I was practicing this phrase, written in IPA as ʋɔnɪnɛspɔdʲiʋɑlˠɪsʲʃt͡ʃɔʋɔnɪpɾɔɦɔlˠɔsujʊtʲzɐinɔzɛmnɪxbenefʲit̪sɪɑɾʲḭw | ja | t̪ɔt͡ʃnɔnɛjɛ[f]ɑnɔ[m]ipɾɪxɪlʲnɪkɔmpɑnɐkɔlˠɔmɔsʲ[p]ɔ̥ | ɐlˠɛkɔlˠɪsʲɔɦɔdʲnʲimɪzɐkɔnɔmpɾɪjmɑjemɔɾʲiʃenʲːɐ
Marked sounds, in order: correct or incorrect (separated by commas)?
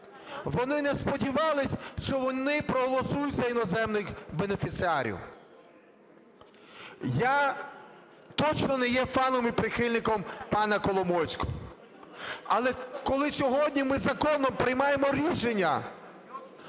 correct, correct, incorrect